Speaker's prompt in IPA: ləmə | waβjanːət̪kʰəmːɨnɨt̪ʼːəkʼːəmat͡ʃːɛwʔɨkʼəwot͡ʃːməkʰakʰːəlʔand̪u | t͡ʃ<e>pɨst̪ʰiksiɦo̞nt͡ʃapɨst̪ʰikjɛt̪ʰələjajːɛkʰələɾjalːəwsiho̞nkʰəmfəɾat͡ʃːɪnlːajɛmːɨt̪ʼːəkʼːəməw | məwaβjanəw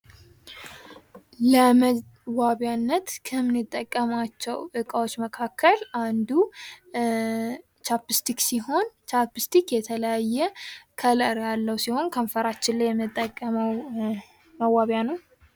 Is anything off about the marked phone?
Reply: yes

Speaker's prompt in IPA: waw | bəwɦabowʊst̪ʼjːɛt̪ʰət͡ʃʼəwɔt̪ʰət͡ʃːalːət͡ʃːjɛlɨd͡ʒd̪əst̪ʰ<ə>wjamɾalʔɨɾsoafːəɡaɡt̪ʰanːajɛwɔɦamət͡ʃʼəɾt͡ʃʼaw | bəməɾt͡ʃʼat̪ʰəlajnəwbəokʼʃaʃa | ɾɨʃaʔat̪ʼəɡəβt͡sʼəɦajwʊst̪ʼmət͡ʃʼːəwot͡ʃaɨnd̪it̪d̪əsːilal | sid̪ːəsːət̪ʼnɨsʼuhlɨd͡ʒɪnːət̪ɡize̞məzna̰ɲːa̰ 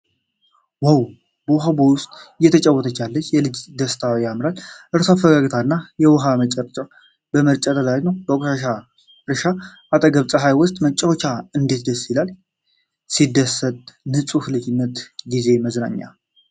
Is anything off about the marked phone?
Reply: yes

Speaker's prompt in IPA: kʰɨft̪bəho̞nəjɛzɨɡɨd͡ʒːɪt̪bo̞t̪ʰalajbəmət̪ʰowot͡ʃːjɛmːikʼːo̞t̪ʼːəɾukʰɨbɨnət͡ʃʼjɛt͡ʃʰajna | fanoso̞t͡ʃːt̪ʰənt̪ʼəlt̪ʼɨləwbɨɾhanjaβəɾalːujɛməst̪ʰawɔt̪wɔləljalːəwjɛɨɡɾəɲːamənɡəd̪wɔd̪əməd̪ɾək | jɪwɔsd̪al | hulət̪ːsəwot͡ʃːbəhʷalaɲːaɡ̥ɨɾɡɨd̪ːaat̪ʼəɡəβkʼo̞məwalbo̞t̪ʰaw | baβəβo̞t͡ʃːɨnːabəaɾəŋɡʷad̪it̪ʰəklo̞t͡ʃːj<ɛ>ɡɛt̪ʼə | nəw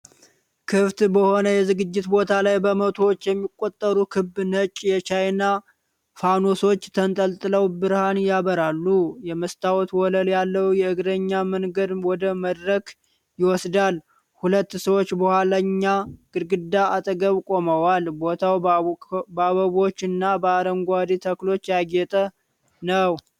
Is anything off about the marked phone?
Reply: yes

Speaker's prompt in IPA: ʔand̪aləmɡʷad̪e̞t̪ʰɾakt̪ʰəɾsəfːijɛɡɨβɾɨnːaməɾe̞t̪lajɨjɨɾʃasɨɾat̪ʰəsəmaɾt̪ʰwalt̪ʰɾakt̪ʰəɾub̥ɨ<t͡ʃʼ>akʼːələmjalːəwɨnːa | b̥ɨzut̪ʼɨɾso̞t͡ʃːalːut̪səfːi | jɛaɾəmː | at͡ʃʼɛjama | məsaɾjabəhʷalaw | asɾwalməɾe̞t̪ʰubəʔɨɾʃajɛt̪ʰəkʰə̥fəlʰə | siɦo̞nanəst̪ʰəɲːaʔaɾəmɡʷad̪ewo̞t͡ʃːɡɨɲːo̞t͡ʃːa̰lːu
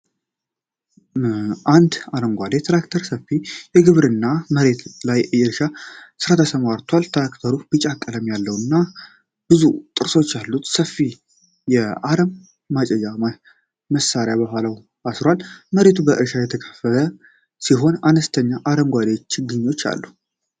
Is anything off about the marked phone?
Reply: no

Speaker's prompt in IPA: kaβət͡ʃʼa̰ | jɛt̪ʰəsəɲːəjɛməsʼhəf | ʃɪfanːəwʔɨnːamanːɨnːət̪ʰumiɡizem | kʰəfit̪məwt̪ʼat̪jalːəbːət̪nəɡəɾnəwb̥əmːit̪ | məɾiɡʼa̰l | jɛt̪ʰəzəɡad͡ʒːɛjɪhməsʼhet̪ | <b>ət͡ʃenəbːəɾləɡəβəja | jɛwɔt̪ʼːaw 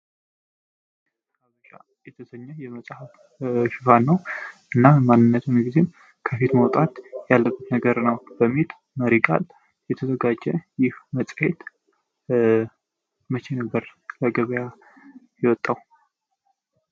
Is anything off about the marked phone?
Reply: yes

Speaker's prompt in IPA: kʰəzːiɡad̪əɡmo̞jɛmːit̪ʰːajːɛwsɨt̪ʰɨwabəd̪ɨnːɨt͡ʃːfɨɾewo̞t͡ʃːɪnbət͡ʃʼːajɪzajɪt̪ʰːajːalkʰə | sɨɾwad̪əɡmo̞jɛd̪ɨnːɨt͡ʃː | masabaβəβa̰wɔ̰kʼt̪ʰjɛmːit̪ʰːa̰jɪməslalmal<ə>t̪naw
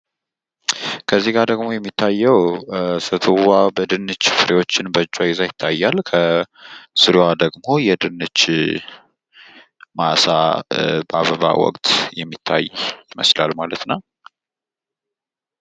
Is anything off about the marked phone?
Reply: no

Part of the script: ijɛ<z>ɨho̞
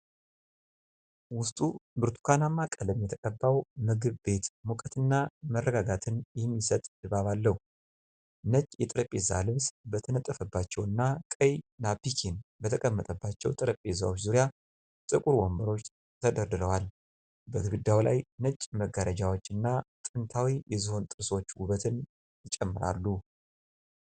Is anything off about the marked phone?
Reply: no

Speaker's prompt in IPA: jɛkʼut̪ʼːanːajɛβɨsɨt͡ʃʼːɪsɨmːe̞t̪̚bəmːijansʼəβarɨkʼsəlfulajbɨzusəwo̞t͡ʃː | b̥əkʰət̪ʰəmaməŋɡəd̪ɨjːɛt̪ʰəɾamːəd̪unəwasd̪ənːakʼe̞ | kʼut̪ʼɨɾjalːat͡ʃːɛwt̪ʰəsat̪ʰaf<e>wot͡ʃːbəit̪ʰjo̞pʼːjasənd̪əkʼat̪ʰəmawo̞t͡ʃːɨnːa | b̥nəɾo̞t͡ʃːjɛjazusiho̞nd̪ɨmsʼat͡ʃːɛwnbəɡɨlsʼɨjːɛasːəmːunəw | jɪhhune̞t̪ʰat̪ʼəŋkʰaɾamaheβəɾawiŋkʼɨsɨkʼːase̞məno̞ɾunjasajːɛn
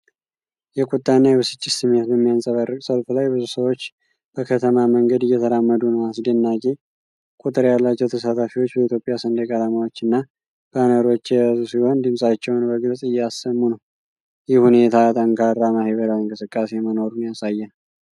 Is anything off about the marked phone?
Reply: yes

